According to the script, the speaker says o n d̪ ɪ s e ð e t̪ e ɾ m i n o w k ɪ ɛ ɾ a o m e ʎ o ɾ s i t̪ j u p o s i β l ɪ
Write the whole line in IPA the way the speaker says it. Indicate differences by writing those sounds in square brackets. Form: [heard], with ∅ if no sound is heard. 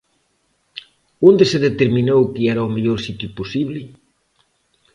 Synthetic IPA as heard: o n d̪ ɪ s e ð e t̪ e ɾ m i n o w k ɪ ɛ ɾ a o m e ʎ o ɾ s i t̪ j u p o s i β l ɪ